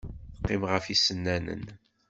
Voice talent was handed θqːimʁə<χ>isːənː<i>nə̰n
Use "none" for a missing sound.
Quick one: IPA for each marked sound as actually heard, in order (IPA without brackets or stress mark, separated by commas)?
f, æ